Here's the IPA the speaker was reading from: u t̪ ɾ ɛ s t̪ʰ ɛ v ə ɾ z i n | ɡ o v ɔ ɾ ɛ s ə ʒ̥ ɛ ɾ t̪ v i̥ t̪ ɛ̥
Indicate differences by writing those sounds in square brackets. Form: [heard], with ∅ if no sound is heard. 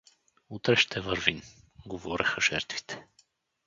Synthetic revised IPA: u t̪ ɾ ɛ [ʃ] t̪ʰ ɛ v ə ɾ [v] i n | ɡ o v ɔ ɾ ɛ [x] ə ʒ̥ ɛ ɾ t̪ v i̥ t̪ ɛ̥